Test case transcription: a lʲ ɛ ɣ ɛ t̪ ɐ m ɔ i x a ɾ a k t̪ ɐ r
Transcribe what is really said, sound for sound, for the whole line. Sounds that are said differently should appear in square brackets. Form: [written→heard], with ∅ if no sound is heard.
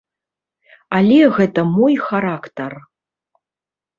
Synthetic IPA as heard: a lʲ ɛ ɣ ɛ t̪ ɐ m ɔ [i→j] x a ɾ a k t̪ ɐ r

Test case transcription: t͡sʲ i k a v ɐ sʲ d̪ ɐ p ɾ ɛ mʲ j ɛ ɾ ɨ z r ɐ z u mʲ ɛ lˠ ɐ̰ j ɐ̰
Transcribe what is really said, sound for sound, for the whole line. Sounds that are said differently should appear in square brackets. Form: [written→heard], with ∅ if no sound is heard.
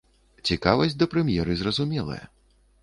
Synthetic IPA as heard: t͡sʲ i k a v ɐ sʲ d̪ ɐ p ɾ ɛ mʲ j ɛ ɾ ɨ z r ɐ z u mʲ ɛ lˠ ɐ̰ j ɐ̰

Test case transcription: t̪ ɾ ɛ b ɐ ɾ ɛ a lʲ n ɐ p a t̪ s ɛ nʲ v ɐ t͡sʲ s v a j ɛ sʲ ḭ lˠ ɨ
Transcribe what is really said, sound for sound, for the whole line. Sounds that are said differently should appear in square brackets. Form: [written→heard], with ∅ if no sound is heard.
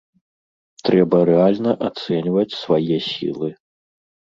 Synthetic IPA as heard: t̪ ɾ ɛ b ɐ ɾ ɛ a lʲ n ɐ [p→ʔ] a t̪ s ɛ nʲ v ɐ t͡sʲ s v a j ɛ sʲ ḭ lˠ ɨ

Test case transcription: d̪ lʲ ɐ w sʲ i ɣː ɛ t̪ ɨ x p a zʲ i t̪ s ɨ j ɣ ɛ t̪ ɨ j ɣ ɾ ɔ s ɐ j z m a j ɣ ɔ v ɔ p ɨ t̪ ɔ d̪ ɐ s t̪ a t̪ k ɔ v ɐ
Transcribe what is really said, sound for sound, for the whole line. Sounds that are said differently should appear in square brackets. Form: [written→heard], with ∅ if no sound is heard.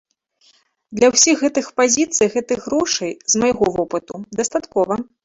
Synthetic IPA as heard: d̪ lʲ ɐ w sʲ i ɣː ɛ t̪ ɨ x p a zʲ i t̪ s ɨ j ɣ ɛ t̪ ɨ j ɣ ɾ ɔ [s→ʂ] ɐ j z m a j ɣ ɔ v ɔ p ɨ t̪ [ɔ→u] d̪ ɐ s t̪ a t̪ k ɔ v ɐ

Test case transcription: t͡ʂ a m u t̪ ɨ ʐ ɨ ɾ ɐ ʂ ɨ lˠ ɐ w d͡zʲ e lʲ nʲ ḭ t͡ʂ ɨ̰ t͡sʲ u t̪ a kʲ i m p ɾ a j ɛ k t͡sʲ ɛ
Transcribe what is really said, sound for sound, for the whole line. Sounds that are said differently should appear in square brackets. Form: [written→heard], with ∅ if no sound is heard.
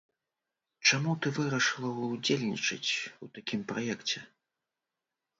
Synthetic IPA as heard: t͡ʂ a m u t̪ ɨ [ʐ→v] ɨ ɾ ɐ ʂ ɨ lˠ ɐ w d͡zʲ e lʲ nʲ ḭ t͡ʂ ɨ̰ t͡sʲ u t̪ a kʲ i m p ɾ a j ɛ k t͡sʲ ɛ

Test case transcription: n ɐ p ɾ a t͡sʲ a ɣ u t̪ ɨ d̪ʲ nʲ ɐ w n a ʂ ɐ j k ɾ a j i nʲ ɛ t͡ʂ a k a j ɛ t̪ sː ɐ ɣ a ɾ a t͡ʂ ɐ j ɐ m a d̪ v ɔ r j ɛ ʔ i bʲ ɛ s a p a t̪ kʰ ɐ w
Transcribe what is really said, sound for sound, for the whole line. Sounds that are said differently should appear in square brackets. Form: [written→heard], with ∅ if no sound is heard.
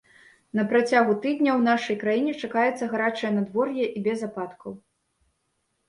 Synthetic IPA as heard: n ɐ p ɾ a t͡sʲ a ɣ u t̪ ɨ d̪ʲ nʲ ɐ w n a ʂ ɐ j k ɾ a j i nʲ ɛ t͡ʂ a k a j ɛ t̪ sː ɐ ɣ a ɾ a t͡ʂ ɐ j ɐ [m→n] a d̪ v ɔ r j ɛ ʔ i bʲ ɛ [s→z] a p a t̪ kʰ ɐ w

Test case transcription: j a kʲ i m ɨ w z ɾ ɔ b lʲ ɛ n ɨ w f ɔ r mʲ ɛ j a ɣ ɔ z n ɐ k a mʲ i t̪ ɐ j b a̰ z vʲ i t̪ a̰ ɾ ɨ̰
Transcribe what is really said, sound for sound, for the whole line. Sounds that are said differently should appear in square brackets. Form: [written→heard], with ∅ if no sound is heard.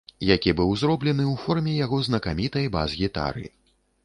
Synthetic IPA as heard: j a kʲ i [m→b] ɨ w z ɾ ɔ b lʲ ɛ n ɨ w f ɔ r mʲ ɛ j a ɣ ɔ z n ɐ k a mʲ i t̪ ɐ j b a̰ z [vʲ→ɣʲ] i t̪ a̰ ɾ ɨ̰

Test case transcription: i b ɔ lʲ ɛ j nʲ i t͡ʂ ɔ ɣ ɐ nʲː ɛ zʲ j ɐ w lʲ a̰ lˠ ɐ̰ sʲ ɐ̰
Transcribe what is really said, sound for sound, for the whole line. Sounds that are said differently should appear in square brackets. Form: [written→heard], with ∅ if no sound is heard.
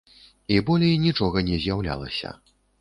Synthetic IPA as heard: i b ɔ lʲ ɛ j nʲ i t͡ʂ ɔ ɣ ɐ [nʲː→nʲ] ɛ zʲ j [ɐ→a] w lʲ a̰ lˠ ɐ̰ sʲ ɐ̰

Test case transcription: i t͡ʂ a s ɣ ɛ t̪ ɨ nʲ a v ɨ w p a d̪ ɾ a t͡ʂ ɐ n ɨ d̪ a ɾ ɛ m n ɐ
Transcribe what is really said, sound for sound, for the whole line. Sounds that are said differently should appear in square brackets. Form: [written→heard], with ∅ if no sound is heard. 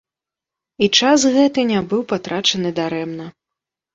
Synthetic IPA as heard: i t͡ʂ a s ɣ ɛ t̪ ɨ nʲ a [v→b] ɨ w p a [d̪→t̪] ɾ a t͡ʂ ɐ n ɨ d̪ a ɾ ɛ m n ɐ

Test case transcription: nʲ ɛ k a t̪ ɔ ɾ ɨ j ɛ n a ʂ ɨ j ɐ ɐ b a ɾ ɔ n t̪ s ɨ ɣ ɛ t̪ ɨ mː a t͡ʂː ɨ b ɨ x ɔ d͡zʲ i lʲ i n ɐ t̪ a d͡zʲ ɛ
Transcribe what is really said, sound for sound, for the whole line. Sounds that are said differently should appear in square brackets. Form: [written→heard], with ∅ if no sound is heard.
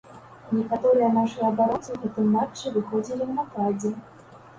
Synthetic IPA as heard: nʲ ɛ k a t̪ ɔ ɾ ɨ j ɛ n a ʂ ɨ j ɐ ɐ b a ɾ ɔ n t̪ s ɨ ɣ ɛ t̪ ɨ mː a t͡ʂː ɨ [b→v] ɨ x ɔ d͡zʲ i lʲ i n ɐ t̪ a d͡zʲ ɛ

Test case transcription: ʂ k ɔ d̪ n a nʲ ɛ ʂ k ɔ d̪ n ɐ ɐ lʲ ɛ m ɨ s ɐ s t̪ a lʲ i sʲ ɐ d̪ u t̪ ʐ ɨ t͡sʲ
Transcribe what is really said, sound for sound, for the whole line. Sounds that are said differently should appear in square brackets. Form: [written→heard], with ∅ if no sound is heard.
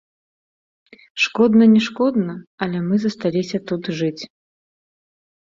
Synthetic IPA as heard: ʂ k ɔ d̪ n [a→ɐ] nʲ ɛ ʂ k ɔ d̪ n ɐ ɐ lʲ ɛ m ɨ [s→z] ɐ s t̪ a lʲ i sʲ ɐ [d̪→t̪] u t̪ ʐ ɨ t͡sʲ

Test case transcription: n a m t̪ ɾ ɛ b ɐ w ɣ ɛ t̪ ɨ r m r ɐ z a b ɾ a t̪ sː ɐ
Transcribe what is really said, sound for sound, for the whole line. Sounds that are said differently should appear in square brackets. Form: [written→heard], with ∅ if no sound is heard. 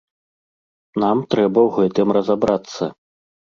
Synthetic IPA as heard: n a m t̪ ɾ ɛ b ɐ w ɣ ɛ t̪ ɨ [r→∅] m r ɐ z a b ɾ a t̪ sː ɐ

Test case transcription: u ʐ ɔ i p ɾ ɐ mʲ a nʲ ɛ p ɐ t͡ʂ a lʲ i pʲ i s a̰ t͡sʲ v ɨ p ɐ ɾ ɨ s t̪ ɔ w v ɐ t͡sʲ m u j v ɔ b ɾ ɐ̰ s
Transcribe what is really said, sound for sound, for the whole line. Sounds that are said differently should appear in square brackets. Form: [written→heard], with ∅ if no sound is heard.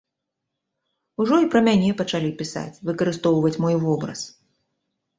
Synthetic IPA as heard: u ʐ ɔ i p ɾ ɐ mʲ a nʲ ɛ p ɐ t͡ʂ a lʲ i pʲ i s a̰ t͡sʲ v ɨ [p→k] ɐ ɾ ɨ s t̪ ɔ w v ɐ t͡sʲ m [u→ɔ] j v ɔ b ɾ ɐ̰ s

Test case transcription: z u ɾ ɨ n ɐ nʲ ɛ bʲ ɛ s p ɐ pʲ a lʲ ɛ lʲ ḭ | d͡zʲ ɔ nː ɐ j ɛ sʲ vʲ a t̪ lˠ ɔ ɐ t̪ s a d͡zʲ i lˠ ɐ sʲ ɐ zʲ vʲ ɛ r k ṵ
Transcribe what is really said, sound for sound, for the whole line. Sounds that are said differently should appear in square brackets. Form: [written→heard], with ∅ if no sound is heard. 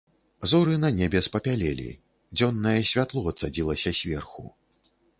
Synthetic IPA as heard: z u ɾ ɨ n ɐ nʲ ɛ bʲ ɛ s p ɐ pʲ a lʲ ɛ lʲ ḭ | d͡zʲ ɔ nː ɐ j ɛ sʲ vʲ a t̪ lˠ ɔ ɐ t̪ s a d͡zʲ i lˠ ɐ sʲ ɐ [zʲ→sʲ] vʲ ɛ r [k→x] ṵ

